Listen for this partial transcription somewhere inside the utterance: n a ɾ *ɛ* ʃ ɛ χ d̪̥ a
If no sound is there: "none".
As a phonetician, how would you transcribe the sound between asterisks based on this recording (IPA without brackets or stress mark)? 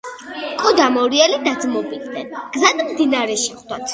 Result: ɛ